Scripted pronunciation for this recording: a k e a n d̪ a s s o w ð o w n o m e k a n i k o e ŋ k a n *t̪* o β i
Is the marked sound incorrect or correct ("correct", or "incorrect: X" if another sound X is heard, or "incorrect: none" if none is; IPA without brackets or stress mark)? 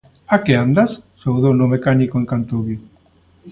correct